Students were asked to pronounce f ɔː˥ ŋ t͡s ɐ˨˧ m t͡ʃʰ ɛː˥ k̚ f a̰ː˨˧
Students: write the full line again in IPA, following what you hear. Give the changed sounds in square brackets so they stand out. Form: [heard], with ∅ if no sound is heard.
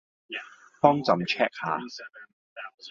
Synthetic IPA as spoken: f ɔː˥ ŋ t͡s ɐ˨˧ m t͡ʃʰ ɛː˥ k̚ [h] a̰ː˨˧